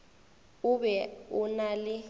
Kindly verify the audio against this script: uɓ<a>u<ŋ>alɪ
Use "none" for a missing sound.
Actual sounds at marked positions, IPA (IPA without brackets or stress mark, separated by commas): ɛ, n